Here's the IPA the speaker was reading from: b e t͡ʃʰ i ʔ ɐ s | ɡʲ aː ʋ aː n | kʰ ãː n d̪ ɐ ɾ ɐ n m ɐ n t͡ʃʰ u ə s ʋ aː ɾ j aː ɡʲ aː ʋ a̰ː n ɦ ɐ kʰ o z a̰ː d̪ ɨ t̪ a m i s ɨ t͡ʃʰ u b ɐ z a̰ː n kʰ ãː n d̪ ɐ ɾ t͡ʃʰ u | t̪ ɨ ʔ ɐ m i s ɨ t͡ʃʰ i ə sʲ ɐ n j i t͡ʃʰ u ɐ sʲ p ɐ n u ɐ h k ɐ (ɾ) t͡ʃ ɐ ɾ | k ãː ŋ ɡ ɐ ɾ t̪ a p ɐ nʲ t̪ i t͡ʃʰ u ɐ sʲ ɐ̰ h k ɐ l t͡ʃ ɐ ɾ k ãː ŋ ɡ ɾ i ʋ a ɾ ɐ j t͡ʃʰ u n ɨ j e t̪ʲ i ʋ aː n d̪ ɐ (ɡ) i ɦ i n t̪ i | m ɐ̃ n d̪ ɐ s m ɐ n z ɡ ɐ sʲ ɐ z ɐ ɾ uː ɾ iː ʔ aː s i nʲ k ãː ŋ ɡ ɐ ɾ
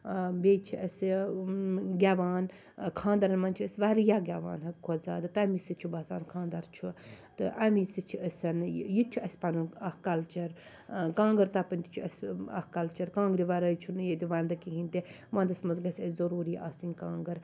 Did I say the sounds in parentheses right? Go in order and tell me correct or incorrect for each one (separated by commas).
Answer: incorrect, incorrect